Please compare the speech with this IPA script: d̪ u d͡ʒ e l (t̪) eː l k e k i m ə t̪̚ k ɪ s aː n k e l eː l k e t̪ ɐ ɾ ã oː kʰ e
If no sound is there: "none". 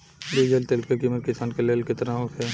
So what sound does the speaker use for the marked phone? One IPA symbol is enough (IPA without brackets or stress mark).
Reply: t̪